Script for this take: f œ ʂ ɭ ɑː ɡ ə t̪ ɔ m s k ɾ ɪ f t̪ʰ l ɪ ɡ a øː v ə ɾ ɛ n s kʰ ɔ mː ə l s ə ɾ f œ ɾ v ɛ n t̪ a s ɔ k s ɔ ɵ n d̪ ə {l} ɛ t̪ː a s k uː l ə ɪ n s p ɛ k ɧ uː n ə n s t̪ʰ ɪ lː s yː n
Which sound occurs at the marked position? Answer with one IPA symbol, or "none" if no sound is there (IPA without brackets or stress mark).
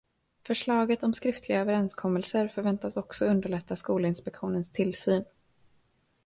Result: ɭ